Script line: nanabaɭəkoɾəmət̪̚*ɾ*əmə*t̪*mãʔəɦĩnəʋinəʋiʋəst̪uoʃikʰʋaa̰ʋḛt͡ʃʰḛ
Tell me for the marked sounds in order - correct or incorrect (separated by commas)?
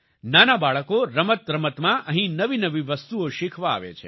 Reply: correct, correct